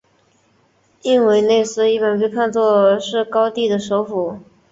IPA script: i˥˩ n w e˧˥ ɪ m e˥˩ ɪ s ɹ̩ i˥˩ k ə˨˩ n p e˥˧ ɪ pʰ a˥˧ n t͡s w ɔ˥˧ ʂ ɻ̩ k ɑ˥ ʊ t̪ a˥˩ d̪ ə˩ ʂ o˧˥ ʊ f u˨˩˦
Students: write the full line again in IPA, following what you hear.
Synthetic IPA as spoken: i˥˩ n w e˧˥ ɪ n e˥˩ ɪ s ɹ̩ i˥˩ p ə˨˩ n p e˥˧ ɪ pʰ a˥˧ n t͡s w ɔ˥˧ ʂ ɻ̩ k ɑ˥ ʊ t̪ i˥˩ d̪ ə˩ ʂ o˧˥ ʊ f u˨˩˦